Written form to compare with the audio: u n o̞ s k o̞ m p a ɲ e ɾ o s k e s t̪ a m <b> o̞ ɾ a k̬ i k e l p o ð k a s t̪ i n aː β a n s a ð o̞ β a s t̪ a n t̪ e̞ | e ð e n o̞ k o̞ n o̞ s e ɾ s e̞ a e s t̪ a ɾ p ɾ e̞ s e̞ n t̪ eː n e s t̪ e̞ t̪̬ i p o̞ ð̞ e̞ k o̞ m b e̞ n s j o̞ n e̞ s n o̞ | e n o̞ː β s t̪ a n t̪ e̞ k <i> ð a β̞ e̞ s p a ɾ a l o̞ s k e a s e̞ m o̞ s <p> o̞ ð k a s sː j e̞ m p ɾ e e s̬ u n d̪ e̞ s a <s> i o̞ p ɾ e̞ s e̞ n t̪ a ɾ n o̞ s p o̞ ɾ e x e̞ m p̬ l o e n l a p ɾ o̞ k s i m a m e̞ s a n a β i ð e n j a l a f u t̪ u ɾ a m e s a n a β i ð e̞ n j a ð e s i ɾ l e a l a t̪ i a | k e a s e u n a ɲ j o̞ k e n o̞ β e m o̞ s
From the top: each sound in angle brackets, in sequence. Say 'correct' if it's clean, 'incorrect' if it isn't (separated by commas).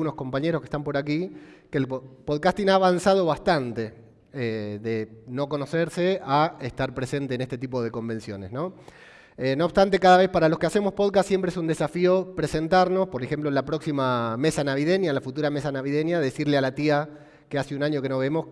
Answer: incorrect, incorrect, correct, incorrect